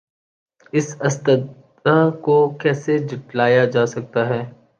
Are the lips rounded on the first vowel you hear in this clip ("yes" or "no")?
no